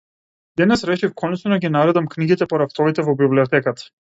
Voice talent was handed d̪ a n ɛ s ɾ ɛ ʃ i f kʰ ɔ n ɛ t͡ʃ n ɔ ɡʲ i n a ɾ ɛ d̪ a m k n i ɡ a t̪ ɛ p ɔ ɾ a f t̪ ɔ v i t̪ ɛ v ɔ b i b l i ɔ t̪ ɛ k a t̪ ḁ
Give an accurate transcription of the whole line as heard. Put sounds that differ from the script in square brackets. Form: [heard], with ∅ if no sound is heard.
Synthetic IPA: d̪ [ɛ] n ɛ s ɾ ɛ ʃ i f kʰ ɔ n ɛ t͡ʃ n ɔ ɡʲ i n a ɾ ɛ d̪ a m k n i ɡ [i] t̪ ɛ p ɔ ɾ a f t̪ ɔ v i t̪ ɛ v ɔ b i b l i ɔ t̪ ɛ k a t̪ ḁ